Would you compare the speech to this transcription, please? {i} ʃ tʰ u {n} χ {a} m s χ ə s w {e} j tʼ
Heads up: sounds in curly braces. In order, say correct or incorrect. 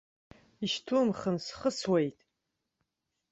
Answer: correct, incorrect, incorrect, correct

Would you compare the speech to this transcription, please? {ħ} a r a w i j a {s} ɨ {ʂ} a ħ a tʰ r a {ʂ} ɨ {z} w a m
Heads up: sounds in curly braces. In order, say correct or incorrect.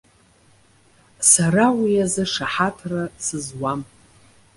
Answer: incorrect, incorrect, correct, incorrect, correct

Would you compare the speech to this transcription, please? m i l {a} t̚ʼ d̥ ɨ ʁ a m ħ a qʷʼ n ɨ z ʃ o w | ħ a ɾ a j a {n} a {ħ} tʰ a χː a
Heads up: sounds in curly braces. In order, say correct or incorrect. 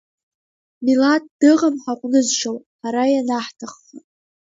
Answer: correct, correct, correct

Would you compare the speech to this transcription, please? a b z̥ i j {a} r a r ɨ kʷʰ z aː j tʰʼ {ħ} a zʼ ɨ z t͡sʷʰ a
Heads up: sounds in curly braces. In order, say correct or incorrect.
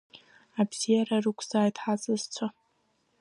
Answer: correct, correct

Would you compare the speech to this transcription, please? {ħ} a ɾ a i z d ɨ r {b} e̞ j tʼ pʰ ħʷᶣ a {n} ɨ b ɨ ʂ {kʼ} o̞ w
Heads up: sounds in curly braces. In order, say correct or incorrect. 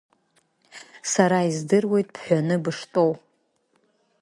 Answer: incorrect, incorrect, correct, incorrect

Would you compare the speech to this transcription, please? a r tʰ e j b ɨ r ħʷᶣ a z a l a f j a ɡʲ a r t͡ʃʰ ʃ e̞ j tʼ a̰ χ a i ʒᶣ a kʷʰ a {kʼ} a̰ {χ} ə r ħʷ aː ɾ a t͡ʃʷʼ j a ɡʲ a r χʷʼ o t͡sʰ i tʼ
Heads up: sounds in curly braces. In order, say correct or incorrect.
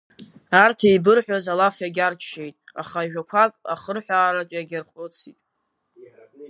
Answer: correct, correct

